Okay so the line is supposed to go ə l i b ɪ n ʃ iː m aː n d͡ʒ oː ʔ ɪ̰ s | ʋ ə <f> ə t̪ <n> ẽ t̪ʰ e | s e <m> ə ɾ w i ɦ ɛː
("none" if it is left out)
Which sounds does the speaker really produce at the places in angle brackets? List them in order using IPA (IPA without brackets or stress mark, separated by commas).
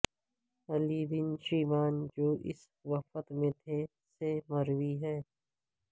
f, m, m